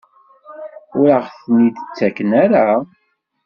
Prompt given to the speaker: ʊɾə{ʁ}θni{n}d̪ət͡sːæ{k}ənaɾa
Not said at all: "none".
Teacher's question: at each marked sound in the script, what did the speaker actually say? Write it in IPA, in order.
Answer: ʁ, none, k

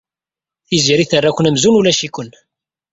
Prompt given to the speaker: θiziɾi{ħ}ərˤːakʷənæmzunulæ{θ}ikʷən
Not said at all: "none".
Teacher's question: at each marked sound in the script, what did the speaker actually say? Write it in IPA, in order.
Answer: θ, ʃ

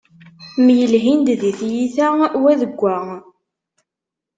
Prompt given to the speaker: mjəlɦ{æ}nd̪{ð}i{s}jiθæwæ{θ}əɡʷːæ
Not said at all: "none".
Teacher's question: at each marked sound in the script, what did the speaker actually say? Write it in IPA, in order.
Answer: i, ð, θ, ð

